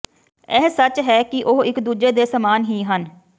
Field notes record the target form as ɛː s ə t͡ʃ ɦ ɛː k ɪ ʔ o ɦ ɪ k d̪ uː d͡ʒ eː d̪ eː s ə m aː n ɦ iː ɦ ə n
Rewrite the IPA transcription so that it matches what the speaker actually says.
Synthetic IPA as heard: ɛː s ə t͡ʃ ɦ ɛː k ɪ ʔ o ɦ ɪ k d̪ uː d͡ʒ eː d̪ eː s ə m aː n ɦ iː ɦ ə n